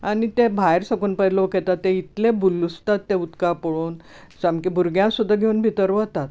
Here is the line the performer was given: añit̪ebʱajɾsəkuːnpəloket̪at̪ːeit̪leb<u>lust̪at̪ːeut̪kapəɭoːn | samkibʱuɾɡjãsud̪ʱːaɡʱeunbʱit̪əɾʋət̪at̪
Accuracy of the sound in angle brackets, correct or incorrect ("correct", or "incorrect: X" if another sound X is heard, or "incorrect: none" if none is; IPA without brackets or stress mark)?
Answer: correct